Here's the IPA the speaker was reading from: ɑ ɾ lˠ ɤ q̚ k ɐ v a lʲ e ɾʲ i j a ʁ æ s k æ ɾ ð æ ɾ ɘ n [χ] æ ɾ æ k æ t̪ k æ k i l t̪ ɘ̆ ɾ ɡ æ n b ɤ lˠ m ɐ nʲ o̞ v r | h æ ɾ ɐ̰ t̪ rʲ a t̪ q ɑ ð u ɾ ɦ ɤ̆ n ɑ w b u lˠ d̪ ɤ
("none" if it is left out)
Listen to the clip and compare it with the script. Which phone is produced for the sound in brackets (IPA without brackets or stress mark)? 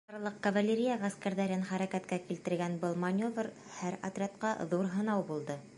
χ